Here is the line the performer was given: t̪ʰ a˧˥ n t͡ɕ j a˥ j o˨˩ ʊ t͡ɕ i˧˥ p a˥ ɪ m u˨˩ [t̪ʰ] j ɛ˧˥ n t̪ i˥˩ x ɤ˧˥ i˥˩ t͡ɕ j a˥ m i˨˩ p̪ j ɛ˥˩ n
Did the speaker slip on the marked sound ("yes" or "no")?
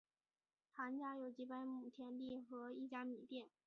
no